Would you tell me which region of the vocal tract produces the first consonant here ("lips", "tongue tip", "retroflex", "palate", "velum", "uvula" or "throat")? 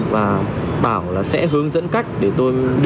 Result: lips